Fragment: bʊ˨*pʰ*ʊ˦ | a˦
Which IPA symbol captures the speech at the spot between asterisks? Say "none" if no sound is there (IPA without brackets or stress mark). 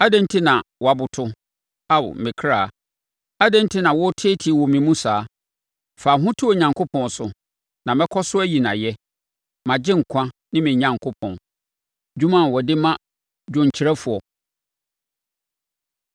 tʰ